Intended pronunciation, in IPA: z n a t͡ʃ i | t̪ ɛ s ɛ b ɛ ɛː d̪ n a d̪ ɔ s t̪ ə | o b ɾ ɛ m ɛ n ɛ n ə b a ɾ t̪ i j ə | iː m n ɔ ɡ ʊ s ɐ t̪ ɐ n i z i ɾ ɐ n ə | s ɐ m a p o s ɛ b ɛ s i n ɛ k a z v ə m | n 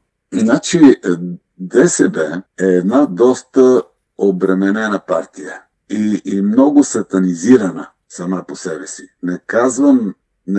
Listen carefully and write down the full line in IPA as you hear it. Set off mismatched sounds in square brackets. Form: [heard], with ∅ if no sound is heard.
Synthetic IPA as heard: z n a t͡ʃ i | [d̪] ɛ s ɛ b ɛ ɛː d̪ n a d̪ ɔ s t̪ ə | o b ɾ ɛ m ɛ n ɛ n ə [p] a ɾ t̪ i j ə | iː m n ɔ ɡ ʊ s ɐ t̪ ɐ n i z i ɾ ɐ n ə | s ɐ m a p o s ɛ b ɛ s i n ɛ k a z v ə m | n